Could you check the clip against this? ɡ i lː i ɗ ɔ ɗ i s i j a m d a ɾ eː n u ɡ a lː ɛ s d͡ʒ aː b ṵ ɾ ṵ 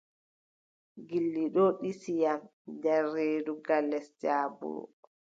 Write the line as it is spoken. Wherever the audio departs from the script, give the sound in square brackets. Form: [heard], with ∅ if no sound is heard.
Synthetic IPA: ɡ i lː i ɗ ɔ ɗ i s i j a m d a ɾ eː [d] u ɡ a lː ɛ s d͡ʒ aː b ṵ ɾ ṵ